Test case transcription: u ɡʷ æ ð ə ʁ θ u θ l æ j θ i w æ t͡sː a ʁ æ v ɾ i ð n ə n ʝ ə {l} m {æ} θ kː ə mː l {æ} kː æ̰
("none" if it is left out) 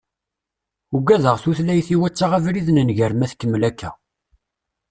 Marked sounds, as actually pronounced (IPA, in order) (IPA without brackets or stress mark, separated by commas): ɾ, æ, æ